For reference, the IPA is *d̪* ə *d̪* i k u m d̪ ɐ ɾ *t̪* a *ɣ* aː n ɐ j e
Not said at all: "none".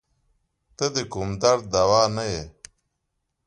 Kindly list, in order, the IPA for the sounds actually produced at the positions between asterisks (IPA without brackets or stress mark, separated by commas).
t̪, d̪, d̪, w